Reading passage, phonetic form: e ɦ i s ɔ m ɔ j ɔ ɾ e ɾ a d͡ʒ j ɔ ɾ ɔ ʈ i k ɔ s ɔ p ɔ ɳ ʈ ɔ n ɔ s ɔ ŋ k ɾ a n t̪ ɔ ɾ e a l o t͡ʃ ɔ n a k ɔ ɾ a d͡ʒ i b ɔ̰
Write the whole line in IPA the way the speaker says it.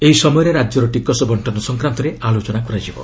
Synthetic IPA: e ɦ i s ɔ m ɔ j ɔ ɾ e ɾ a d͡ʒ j ɔ ɾ ɔ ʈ i k ɔ s ɔ b ɔ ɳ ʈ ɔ n ɔ s ɔ ŋ k ɾ a n t̪ ɔ ɾ e a l o t͡ʃ ɔ n a k ɔ ɾ a d͡ʒ i b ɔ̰